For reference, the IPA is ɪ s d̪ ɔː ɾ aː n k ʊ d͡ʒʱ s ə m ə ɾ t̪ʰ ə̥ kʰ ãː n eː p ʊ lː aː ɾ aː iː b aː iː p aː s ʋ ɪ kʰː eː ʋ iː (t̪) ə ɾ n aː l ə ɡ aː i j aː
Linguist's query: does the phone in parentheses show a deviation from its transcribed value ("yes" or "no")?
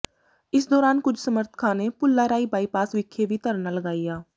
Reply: no